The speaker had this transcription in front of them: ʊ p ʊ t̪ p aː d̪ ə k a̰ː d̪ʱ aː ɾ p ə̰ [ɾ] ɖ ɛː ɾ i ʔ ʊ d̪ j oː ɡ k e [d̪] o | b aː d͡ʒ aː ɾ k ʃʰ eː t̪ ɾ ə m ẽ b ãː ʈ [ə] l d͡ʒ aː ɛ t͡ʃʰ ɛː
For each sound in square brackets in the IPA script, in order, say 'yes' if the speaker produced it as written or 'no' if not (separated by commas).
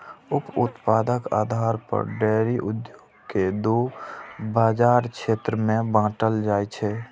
yes, yes, yes